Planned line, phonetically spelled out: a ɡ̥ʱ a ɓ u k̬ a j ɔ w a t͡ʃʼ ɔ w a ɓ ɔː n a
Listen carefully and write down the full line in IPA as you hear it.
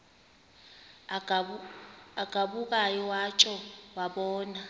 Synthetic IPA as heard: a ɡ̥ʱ a ɓ u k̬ a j ɔ w a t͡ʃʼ ɔ w a ɓ ɔː n a